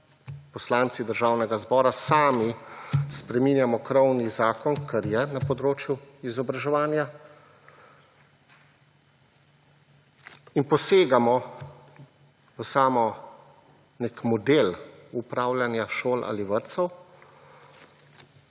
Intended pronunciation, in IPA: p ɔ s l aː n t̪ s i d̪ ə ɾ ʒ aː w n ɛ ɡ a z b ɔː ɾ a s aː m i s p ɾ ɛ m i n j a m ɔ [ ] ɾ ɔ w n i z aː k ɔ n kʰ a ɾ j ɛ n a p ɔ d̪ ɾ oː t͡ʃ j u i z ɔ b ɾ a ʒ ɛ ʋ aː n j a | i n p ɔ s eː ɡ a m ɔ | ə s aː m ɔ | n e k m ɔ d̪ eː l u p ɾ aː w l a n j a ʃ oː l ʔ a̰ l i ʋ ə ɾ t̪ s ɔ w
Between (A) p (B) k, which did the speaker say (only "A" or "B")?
B